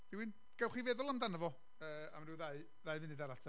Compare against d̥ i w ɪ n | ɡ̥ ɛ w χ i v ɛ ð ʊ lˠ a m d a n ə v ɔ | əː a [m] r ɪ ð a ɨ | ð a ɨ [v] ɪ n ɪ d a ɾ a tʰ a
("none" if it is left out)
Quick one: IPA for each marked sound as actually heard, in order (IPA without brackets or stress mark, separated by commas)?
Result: m, v